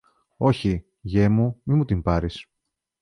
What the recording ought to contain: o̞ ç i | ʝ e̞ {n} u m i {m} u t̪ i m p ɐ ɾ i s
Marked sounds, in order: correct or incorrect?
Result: incorrect: m, correct

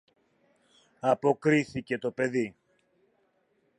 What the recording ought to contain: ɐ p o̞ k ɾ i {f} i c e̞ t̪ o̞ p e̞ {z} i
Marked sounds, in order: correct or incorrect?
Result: incorrect: θ, incorrect: ð

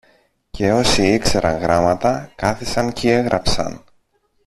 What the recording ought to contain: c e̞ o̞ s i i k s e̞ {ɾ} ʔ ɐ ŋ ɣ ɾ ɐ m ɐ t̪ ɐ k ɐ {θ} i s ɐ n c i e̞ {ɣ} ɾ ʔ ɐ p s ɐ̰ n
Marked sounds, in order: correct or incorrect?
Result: correct, correct, correct

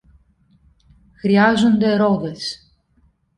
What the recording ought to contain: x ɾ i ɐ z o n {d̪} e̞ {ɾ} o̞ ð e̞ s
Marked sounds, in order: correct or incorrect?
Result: correct, correct

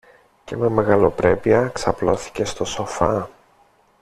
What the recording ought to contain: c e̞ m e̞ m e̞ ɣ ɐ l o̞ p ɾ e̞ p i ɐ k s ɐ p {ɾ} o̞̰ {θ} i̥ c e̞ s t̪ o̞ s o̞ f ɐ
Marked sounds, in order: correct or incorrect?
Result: incorrect: l, correct

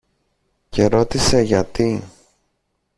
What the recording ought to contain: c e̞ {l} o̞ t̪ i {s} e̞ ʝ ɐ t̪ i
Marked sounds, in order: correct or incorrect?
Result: incorrect: ɾ, correct

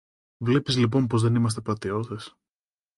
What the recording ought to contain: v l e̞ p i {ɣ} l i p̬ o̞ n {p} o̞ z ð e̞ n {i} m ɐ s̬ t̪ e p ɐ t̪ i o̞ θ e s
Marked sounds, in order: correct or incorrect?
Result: incorrect: z, correct, correct

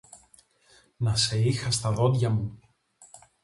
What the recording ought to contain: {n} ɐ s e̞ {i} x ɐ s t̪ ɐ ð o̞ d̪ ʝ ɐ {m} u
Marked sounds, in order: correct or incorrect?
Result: correct, correct, correct

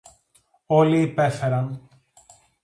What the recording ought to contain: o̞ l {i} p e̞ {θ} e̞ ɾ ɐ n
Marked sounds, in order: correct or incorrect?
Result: incorrect: iː, incorrect: f

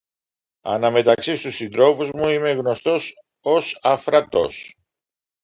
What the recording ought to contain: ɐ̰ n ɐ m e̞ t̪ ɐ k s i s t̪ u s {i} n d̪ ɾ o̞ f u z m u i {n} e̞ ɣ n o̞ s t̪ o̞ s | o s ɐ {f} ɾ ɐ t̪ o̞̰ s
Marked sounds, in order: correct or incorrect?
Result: correct, incorrect: m, correct

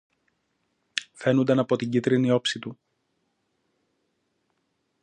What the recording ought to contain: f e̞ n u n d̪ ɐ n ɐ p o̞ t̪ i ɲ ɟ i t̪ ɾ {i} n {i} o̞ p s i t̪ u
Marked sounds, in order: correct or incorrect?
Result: correct, correct

